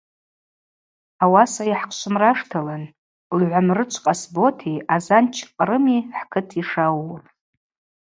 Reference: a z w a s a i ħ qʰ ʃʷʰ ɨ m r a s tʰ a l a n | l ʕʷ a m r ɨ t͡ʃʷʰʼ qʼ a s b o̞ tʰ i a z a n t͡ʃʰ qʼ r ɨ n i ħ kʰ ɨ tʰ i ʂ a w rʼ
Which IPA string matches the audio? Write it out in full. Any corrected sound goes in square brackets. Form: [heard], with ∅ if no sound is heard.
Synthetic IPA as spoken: a [∅] w a s a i ħ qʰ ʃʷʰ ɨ m r a [ʂ] tʰ a l a n | l ʕʷ a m r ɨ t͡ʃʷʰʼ qʼ a s b o̞ tʰ i a z a n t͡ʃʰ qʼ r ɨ [m] i ħ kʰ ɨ tʰ i ʂ a w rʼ